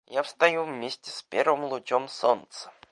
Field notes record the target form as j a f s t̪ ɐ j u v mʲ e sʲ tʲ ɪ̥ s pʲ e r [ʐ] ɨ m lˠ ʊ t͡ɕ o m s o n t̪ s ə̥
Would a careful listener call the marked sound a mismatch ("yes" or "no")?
yes